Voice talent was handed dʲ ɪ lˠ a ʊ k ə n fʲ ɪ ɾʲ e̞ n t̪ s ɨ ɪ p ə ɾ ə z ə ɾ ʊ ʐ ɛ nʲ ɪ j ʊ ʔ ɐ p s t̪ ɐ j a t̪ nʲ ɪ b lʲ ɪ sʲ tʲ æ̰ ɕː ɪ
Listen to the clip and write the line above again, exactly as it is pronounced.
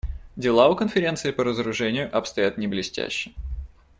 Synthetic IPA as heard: dʲ ɪ lˠ a ʊ k ə n fʲ ɪ ɾʲ e̞ n t̪ s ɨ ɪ p ə ɾ ə z ə ɾ ʊ ʐ ɛ nʲ ɪ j ʊ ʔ ɐ p s t̪ ɐ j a t̪ nʲ ɪ b lʲ ɪ sʲ tʲ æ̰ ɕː ɪ